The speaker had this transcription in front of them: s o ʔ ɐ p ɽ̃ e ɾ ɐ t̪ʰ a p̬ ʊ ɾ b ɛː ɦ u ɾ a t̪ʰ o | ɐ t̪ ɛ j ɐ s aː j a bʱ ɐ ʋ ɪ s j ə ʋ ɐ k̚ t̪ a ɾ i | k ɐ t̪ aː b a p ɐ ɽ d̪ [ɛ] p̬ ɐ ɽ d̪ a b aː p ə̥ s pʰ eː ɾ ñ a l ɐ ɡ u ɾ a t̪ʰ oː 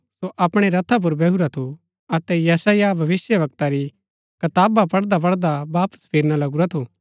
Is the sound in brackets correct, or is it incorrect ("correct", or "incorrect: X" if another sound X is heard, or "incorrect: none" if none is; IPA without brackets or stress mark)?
incorrect: a